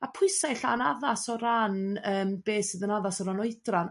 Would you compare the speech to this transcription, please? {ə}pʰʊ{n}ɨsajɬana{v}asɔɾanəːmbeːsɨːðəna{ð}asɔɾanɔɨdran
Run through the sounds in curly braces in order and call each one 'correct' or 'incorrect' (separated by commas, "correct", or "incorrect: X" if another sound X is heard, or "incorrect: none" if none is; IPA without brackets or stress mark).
incorrect: a, incorrect: none, incorrect: ð, correct